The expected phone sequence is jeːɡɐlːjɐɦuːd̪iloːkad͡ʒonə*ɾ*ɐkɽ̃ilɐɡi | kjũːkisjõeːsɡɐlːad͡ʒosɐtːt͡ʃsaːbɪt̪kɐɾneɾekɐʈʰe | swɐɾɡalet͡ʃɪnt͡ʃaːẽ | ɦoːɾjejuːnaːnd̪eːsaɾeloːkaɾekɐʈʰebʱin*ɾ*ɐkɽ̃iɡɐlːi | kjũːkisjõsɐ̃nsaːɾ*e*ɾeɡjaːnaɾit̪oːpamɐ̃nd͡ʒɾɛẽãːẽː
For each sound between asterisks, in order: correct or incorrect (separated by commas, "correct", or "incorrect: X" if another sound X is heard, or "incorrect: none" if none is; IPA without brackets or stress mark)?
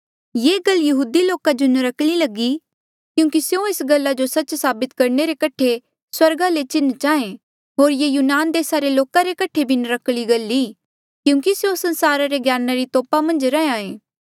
correct, correct, incorrect: a